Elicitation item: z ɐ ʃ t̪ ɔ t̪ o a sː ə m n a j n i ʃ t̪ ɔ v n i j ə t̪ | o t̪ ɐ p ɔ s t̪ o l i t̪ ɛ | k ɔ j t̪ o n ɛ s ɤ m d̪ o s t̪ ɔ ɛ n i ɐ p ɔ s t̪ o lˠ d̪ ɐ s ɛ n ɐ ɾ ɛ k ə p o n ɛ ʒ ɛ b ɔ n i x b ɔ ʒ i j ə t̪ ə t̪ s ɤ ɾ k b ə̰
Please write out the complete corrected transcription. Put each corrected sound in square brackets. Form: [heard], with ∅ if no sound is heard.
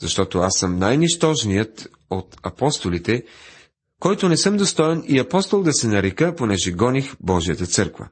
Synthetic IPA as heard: z ɐ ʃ t̪ ɔ t̪ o a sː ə m n a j n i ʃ t̪ ɔ [ʒ] n i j ə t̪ | o t̪ ɐ p ɔ s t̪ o l i t̪ ɛ | k ɔ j t̪ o n ɛ s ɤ m d̪ o s t̪ ɔ ɛ n i ɐ p ɔ s t̪ o lˠ d̪ ɐ s ɛ n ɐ ɾ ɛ k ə p o n ɛ ʒ ɛ [ɡ] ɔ n i x b ɔ ʒ i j ə t̪ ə t̪ s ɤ ɾ k [v] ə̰